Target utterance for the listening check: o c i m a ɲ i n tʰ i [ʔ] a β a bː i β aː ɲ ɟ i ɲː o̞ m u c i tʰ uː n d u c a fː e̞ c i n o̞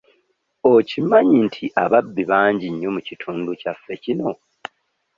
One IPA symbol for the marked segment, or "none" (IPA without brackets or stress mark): ʔ